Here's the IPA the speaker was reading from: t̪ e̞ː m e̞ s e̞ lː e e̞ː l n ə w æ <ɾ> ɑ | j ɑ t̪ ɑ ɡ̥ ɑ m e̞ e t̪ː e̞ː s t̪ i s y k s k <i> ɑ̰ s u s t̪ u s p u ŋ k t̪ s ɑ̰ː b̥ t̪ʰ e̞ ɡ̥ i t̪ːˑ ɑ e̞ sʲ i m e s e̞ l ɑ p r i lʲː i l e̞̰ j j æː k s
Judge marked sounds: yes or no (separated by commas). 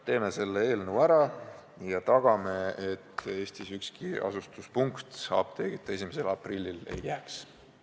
yes, yes